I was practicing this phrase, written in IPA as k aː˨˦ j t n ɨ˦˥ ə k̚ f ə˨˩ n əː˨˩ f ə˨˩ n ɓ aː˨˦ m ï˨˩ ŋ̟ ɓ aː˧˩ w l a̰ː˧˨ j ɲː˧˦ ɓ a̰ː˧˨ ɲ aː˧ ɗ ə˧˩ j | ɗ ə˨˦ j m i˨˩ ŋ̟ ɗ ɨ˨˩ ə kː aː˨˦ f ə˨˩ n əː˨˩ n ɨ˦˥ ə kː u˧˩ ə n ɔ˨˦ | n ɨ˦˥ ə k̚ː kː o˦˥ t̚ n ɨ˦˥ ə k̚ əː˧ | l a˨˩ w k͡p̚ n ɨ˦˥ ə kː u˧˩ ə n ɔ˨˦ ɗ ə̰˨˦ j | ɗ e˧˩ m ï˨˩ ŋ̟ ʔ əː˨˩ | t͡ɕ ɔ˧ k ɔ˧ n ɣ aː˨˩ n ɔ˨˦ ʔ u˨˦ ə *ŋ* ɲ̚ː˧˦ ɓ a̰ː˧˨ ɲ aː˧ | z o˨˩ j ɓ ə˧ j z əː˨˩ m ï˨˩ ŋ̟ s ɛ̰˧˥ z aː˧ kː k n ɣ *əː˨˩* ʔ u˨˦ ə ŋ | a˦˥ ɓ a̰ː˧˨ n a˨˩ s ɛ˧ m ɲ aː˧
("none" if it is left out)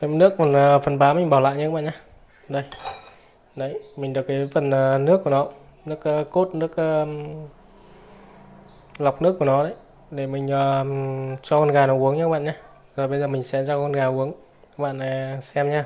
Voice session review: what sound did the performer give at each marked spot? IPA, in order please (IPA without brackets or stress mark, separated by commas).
ŋ, aː˨˩